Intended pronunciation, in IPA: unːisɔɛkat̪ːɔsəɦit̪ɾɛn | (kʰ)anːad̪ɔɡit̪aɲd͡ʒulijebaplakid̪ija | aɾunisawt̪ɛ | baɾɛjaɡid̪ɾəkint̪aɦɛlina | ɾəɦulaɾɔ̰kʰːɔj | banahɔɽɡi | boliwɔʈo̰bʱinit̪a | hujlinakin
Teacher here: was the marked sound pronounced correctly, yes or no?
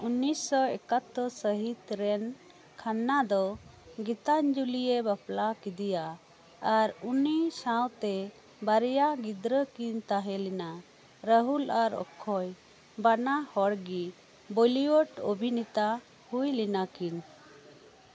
yes